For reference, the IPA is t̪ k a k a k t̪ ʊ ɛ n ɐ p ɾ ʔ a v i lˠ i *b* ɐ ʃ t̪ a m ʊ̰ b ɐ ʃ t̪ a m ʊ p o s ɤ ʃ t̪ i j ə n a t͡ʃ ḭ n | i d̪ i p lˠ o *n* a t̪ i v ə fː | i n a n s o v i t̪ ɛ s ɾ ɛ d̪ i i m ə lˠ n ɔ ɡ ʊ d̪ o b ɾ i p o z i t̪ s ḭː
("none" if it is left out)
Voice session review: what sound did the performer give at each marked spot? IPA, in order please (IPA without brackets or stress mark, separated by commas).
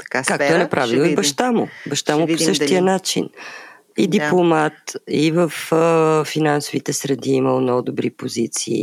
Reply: b, m